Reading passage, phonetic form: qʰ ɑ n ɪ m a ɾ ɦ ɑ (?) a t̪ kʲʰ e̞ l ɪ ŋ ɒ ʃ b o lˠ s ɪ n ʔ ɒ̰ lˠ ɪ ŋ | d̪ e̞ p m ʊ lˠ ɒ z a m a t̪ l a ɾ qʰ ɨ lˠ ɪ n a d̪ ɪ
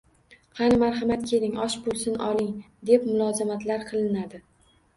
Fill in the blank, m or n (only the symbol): m